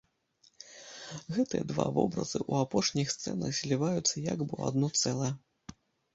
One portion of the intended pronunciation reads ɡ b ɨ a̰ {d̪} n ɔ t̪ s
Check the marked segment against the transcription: correct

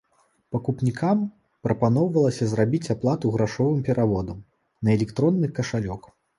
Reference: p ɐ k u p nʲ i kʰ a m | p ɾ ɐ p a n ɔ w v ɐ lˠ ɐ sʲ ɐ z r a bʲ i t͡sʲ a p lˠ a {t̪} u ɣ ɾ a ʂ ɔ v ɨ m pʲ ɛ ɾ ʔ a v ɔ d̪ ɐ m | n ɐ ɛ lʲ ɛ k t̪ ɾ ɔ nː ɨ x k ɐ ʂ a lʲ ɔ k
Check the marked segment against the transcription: correct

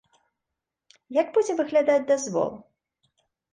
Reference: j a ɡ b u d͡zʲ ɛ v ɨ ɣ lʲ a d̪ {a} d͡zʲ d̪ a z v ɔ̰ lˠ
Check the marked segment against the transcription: correct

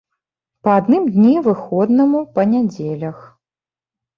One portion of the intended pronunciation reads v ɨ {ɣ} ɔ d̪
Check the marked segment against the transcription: incorrect: x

